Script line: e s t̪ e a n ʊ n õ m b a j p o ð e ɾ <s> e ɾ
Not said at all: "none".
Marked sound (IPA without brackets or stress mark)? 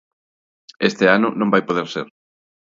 s